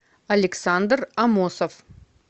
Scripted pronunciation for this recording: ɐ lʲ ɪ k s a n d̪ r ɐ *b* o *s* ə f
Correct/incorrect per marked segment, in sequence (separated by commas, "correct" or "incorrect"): incorrect, correct